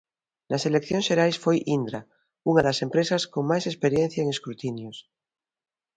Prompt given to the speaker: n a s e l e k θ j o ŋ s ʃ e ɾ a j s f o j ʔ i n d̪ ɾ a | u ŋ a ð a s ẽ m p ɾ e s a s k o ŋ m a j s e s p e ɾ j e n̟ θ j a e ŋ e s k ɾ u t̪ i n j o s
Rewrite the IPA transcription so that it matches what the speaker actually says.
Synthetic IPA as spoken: n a s e l e k θ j o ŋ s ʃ e ɾ a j s f o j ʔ i n d̪ ɾ a | u ŋ a ð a s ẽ m p ɾ e s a s k o ŋ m a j s e s p e ɾ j e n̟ θ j a e ŋ e s k ɾ u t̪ i n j o s